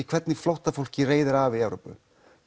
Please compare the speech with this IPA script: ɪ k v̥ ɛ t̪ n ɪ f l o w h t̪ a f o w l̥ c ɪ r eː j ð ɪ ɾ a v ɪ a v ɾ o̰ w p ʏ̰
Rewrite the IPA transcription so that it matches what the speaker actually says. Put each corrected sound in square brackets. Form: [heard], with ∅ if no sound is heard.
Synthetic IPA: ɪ [kʰ] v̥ ɛ t̪ n ɪ f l o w h t̪ a f o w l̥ c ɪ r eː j ð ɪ ɾ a v ɪ [ɛ] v ɾ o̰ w p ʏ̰